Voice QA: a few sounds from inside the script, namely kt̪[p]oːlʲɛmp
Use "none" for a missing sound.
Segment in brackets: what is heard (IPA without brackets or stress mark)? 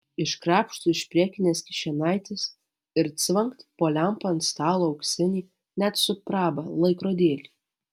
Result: p